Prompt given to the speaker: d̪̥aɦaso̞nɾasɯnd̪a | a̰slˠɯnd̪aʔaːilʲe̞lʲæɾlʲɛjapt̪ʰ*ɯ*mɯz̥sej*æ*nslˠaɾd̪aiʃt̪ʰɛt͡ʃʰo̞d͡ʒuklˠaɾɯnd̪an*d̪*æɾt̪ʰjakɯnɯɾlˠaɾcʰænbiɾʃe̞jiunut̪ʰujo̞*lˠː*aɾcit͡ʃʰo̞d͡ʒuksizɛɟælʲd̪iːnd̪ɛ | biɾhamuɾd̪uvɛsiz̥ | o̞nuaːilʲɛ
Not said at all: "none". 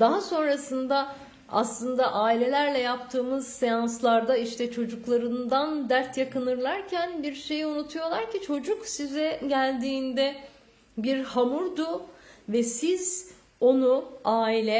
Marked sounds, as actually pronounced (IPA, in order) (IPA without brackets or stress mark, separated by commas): ɯː, a, d̪, lˠ